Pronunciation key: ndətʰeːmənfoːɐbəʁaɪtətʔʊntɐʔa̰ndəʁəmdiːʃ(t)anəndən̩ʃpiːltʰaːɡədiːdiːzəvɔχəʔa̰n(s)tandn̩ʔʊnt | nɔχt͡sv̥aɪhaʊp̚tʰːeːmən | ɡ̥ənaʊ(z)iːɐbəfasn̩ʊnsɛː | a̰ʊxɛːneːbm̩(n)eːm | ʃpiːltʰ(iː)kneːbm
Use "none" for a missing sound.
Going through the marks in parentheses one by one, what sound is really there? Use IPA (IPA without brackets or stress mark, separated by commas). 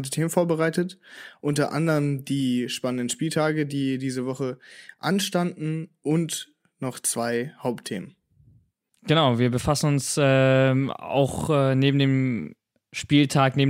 p, ʃ, v, d, aː